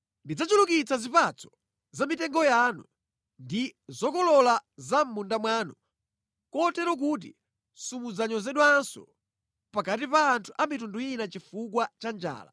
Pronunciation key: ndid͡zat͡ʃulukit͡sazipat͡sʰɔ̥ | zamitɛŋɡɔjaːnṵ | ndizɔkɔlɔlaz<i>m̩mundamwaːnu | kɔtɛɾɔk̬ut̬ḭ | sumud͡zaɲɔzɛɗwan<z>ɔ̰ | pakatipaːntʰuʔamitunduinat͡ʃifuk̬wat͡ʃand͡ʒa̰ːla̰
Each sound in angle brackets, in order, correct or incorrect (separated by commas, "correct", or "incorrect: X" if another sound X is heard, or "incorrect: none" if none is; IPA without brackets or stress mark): incorrect: a, incorrect: s